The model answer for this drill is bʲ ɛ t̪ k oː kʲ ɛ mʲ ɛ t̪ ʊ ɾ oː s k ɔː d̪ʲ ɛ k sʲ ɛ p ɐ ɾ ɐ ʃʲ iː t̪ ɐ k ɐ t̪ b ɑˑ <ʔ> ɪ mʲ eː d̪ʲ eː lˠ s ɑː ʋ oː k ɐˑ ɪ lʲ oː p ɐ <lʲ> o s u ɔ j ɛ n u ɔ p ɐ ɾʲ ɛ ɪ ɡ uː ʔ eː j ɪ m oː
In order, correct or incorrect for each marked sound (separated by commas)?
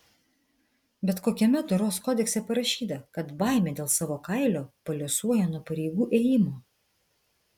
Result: incorrect, correct